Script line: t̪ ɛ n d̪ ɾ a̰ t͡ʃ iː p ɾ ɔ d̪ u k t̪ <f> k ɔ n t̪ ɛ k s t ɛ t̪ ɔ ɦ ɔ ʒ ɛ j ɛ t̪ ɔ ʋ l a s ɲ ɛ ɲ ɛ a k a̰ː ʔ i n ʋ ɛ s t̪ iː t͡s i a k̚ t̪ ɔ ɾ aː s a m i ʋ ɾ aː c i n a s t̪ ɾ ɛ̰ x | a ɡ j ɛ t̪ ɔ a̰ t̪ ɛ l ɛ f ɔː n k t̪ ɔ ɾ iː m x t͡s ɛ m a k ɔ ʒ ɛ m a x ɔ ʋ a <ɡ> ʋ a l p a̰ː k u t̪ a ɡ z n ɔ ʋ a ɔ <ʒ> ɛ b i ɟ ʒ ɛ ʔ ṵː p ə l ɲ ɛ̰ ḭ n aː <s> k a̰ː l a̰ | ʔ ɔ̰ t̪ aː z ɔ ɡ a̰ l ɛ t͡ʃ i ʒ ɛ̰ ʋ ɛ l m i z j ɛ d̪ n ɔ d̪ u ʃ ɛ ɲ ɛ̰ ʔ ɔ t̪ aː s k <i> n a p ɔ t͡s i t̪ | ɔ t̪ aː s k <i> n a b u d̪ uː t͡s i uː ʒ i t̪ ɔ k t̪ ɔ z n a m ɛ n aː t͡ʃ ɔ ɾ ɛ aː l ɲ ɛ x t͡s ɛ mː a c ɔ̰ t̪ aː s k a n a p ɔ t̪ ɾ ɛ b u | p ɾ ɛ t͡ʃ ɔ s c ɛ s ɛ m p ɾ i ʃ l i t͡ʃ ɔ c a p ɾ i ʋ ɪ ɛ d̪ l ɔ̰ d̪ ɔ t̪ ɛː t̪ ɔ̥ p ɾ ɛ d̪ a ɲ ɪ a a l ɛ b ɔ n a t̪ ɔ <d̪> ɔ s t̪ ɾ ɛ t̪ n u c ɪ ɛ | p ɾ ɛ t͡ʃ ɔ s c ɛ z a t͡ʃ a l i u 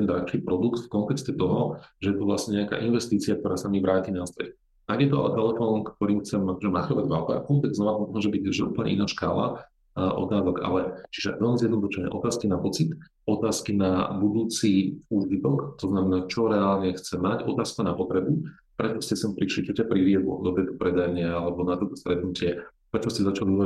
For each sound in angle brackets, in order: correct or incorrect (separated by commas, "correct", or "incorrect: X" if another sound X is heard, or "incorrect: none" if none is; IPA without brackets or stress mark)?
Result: correct, incorrect: ɟ, correct, incorrect: ʃ, correct, correct, incorrect: t̪